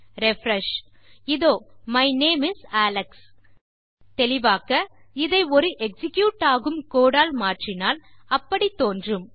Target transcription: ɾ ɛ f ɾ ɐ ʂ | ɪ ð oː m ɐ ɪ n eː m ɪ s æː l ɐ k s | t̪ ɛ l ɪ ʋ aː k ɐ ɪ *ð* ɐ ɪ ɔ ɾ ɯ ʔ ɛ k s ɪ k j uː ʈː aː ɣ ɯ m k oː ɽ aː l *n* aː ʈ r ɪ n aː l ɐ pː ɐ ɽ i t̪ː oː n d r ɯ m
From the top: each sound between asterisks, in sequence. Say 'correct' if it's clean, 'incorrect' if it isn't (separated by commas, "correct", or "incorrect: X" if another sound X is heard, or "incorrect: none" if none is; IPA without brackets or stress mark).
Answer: correct, incorrect: m